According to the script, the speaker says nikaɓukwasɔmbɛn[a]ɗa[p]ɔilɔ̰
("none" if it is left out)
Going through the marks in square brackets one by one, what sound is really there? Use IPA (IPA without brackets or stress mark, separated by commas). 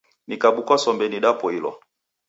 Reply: i, p